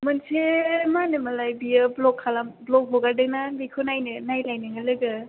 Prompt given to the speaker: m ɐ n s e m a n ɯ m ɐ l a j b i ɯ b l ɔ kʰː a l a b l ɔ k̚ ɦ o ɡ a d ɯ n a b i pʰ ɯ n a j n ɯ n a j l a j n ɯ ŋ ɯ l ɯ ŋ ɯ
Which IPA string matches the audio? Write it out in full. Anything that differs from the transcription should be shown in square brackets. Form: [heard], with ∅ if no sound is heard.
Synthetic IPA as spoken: m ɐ n s e m a n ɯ m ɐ l a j b i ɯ b l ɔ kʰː a l a b l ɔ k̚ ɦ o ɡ a d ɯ n a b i [kʰ] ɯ n a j n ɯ n a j l a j n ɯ ŋ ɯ l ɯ [ɡ] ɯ